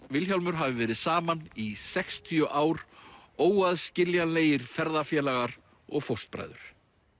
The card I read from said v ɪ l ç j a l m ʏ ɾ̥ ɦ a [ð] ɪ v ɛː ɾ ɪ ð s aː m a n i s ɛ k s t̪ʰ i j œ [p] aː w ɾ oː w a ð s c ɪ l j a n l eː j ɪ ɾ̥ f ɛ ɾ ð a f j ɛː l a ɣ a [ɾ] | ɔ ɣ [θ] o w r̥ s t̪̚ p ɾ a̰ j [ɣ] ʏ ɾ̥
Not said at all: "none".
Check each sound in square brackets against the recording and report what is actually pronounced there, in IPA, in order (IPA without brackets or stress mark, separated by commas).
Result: v, ʔ, ɾ, f, ð